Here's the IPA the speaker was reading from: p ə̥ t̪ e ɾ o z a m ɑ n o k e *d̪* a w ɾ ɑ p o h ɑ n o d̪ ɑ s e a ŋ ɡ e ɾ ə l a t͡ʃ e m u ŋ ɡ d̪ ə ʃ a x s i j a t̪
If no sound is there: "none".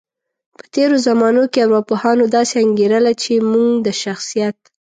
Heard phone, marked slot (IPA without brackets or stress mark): none